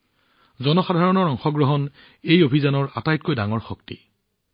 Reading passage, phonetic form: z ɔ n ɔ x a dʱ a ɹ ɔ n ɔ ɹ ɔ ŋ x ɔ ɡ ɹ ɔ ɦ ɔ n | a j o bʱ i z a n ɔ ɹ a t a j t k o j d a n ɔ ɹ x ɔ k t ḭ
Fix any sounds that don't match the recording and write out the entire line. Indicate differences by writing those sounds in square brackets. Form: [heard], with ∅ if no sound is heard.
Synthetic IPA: z ɔ n ɔ x a dʱ a ɹ ɔ n ɔ ɹ ɔ ŋ x ɔ ɡ ɹ ɔ ɦ ɔ n | [e] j o bʱ i z a n ɔ ɹ a t a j t k o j d a [ŋ] ɔ ɹ x ɔ k t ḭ